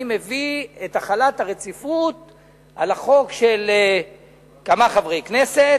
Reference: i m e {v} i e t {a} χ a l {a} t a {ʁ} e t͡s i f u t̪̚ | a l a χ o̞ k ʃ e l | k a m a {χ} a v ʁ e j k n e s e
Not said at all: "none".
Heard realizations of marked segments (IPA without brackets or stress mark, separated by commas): v, a, a, ʁ, χ